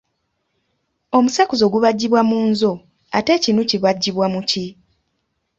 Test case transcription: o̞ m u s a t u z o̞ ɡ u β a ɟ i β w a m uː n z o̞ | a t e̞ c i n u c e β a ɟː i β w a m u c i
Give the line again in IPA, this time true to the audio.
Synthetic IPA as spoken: o̞ m u s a k u z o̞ ɡ u β a ɟː i β w a m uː n z o̞ | a t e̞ c i n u c i β a ɟː i β w a m u c i